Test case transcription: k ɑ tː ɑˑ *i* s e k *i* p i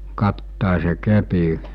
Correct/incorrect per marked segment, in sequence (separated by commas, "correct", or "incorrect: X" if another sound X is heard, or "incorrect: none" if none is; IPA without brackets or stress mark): incorrect: e, incorrect: e